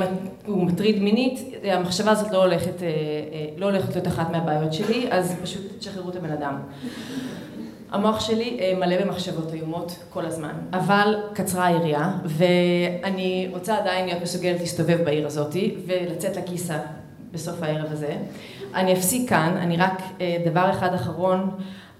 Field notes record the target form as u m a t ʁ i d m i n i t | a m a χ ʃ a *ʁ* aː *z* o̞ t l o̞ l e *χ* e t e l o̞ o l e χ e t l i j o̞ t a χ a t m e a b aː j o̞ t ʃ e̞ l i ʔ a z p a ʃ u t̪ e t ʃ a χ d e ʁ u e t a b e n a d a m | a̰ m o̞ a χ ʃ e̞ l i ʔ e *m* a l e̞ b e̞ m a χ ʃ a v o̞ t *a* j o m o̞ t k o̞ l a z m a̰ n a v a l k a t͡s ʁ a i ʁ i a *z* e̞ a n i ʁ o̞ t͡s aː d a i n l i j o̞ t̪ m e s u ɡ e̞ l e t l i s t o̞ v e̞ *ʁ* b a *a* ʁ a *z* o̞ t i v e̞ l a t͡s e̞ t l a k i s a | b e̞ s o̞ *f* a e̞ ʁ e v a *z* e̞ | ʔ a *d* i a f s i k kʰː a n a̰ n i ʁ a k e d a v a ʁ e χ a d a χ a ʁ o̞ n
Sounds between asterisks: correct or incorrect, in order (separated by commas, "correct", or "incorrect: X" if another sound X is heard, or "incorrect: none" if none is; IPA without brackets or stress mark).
incorrect: v, correct, correct, correct, correct, incorrect: v, incorrect: v, incorrect: i, correct, correct, correct, incorrect: n